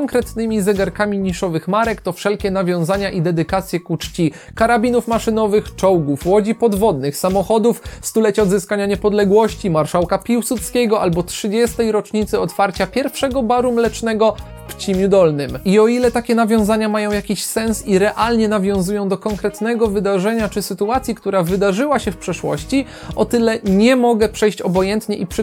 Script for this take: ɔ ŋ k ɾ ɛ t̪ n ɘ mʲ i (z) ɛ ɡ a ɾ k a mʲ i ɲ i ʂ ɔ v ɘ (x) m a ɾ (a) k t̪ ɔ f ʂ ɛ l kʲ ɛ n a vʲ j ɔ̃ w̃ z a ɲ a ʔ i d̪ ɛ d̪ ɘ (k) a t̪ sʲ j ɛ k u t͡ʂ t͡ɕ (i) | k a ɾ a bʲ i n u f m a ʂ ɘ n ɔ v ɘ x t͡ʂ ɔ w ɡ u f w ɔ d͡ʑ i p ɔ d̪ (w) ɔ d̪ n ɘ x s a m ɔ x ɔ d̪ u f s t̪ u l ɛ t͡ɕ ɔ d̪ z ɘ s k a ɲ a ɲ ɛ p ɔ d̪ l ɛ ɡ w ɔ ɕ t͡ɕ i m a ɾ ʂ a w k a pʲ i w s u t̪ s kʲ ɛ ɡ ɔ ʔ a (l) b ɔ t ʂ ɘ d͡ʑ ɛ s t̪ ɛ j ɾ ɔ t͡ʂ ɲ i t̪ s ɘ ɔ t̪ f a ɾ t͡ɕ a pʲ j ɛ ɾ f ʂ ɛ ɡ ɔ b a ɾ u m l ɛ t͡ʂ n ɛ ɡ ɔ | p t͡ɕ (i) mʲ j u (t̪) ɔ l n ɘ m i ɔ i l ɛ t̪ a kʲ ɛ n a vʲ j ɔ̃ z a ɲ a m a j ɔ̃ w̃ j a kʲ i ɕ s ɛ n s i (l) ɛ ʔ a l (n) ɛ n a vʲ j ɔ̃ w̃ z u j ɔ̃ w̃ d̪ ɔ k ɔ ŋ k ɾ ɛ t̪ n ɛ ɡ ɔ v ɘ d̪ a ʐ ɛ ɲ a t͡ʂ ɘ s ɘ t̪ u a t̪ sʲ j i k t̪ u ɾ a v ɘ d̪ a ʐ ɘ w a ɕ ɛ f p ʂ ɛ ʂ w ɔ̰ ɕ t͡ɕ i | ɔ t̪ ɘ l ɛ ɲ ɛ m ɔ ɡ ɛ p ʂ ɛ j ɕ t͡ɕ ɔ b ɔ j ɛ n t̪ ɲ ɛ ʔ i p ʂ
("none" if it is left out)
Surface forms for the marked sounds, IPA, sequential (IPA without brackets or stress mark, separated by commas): z, x, ɛ, k, i, v, l, i, d̪, ɾ, ɲ